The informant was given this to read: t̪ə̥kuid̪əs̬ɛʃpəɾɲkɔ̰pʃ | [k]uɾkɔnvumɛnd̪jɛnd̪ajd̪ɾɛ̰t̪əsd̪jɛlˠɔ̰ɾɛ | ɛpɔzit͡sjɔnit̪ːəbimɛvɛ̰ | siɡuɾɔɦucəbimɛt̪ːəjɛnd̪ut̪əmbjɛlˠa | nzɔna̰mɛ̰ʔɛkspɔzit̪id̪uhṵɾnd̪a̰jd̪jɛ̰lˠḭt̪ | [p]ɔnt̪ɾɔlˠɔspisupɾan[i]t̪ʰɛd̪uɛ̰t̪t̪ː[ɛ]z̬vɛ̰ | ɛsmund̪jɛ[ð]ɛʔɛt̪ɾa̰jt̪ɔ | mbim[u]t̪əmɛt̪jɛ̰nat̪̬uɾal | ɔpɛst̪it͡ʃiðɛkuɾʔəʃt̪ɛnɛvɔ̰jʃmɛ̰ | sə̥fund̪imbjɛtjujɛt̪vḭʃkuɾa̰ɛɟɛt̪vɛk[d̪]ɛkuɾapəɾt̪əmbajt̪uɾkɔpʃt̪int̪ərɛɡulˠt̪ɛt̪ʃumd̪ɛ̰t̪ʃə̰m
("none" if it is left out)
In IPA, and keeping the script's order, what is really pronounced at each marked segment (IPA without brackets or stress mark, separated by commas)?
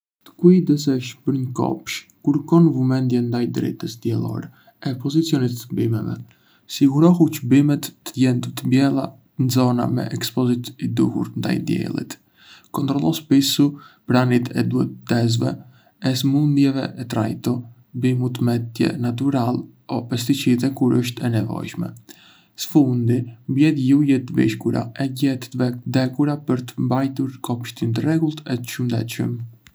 k, k, i, ɛ, v, u, d̪